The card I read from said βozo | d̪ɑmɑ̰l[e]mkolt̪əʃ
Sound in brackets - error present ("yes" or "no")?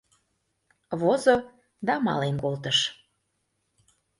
no